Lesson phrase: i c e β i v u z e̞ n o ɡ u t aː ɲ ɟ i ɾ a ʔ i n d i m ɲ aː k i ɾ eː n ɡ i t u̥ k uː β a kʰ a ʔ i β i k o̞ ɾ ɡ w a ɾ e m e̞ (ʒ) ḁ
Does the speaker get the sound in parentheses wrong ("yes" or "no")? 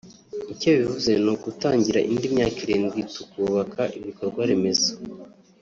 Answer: yes